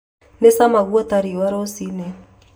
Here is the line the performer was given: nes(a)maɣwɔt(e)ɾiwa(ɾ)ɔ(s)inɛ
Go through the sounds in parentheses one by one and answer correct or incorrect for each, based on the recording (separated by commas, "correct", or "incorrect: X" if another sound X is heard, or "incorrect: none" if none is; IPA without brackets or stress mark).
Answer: correct, incorrect: a, correct, correct